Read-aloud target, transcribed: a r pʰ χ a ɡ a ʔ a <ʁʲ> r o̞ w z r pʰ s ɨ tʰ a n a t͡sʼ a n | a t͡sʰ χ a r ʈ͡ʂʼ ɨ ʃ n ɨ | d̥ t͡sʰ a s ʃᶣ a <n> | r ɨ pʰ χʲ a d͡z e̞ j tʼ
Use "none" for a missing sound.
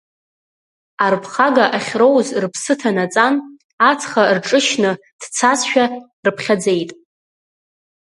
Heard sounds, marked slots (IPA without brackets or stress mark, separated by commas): χʲ, none